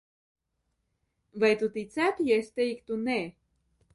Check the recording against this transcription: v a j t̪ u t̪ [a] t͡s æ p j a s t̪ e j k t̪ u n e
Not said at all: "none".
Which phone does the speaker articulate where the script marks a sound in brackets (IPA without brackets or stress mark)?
i